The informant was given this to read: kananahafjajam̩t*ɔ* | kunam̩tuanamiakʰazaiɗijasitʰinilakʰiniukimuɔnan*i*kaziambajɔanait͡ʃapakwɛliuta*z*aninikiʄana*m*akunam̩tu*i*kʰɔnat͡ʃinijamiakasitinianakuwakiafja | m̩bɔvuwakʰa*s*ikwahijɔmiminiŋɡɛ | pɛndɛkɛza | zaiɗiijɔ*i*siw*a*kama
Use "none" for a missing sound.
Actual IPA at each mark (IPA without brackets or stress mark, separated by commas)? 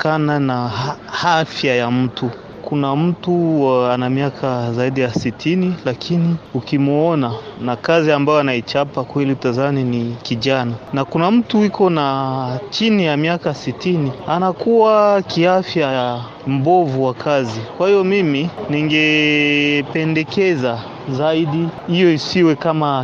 u, a, z, n, i, z, i, ɛ